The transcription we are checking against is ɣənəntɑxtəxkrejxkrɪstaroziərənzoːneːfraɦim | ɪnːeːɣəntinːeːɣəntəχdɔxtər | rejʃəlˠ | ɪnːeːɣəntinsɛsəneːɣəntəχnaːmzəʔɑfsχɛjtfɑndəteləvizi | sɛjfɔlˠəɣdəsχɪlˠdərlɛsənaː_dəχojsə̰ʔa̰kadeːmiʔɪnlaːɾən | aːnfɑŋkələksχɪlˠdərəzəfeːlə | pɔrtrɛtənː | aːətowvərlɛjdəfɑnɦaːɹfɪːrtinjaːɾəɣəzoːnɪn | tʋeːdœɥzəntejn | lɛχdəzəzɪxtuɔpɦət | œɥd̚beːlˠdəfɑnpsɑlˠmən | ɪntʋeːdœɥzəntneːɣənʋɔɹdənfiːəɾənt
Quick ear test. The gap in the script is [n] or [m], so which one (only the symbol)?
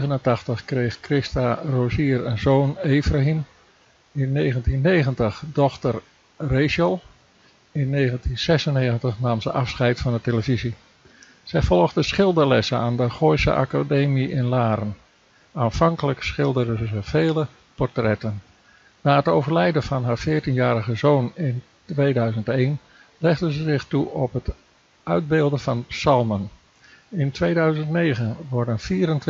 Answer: n